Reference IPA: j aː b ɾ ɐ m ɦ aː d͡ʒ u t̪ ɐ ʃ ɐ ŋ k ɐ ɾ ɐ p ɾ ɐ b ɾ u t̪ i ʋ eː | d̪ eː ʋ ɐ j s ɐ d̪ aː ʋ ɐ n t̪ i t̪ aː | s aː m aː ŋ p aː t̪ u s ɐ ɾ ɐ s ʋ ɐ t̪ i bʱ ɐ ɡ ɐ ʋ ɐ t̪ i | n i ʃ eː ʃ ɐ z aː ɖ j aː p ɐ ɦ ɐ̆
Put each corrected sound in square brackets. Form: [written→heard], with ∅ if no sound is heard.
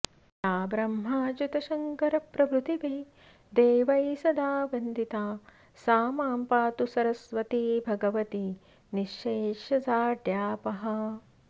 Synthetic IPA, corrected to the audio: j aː b ɾ ɐ m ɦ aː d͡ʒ u t̪ ɐ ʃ ɐ ŋ k ɐ ɾ ɐ p ɾ ɐ b ɾ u t̪ i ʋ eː | d̪ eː ʋ ɐ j s ɐ d̪ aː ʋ ɐ n [t̪→d̪] i t̪ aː | s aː m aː [ŋ→m] p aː t̪ u s ɐ ɾ ɐ s ʋ ɐ t̪ i bʱ ɐ ɡ ɐ ʋ ɐ t̪ i | n i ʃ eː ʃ ɐ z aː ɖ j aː p ɐ ɦ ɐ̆